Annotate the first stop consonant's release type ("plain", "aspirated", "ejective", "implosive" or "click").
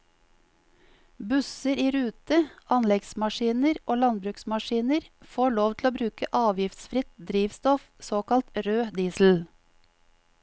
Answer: plain